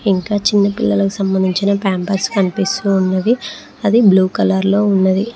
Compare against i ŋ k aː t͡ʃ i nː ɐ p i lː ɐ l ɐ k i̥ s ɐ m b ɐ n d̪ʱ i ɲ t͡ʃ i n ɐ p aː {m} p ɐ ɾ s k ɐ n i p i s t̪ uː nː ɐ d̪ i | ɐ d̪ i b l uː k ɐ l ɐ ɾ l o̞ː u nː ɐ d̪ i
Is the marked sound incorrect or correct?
correct